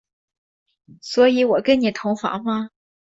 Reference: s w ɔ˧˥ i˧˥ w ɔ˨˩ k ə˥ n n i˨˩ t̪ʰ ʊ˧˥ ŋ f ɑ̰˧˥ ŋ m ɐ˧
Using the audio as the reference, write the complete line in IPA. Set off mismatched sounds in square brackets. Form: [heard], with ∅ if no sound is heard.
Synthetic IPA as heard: s w ɔ˧˥ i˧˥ w ɔ˨˩ k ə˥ n n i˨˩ t̪ʰ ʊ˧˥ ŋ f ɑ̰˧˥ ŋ m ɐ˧